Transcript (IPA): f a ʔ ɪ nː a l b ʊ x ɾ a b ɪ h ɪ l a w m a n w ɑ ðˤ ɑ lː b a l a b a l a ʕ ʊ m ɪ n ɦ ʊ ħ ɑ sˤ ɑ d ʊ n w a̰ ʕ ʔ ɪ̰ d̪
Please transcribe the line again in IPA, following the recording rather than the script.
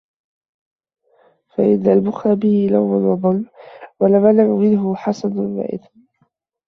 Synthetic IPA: f a ʔ ɪ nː a l b ʊ x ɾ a b ɪ h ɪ l a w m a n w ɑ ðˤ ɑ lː w a l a m a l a ʕ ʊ m ɪ n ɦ ʊ ħ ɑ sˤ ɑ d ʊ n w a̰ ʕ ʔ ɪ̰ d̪